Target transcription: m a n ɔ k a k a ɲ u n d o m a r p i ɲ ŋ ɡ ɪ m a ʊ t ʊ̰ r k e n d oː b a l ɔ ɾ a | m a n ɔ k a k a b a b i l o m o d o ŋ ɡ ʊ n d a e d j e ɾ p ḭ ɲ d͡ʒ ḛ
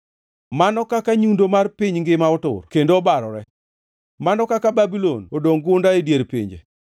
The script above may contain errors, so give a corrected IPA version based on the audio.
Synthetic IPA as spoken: m a n ɔ k a k a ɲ u n d o m a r p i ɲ ŋ ɡ ɪ m a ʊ t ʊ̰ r k e n d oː b a ɾ ɔ ɾ ɛ | m a n ɔ k a k a b a b i l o n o d o ŋ ɡ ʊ n d a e d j e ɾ p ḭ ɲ d͡ʒ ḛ

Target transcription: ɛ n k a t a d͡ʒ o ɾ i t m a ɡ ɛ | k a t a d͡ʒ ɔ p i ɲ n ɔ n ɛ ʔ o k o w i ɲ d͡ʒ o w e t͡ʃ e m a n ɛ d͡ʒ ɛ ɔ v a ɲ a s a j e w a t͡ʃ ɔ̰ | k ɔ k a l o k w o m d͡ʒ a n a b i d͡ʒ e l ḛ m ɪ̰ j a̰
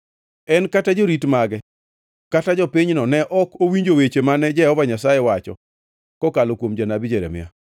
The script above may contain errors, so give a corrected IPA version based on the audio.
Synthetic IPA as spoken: ɛ n k a t a d͡ʒ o ɾ i t m a ɡ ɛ | k a t a d͡ʒ ɔ p i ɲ n ɔ n ɛ ʔ ɔ k o w i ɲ d͡ʒ o w e t͡ʃ e m a n ɛ d͡ʒ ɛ ɔ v a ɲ a s a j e w a t͡ʃ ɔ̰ | k ɔ k a l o k w o m d͡ʒ a n a b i d͡ʒ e ɾ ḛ m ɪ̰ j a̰

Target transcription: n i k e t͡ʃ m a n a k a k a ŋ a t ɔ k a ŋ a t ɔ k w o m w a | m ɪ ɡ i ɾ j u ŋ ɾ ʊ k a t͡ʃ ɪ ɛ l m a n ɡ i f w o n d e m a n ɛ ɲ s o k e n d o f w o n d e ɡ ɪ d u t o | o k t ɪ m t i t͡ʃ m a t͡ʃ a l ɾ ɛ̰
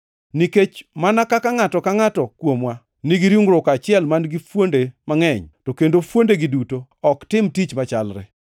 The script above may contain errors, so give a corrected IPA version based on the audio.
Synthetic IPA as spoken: n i k e t͡ʃ m a n a k a k a ŋ a t ɔ k a ŋ a t ɔ k w o m w a | n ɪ ɡ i ɾ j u ŋ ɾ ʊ k a t͡ʃ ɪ ɛ l m a n ɡ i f w o n d e m a ŋ ɛ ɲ t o k e n d o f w o n d e ɡ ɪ d u t o | ɔ k t ɪ m t i t͡ʃ m a t͡ʃ a l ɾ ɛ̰

